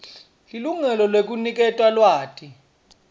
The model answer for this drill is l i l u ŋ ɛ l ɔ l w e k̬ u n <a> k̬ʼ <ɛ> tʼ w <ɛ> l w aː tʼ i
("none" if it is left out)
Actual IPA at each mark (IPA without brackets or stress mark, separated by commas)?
i, ɛ, a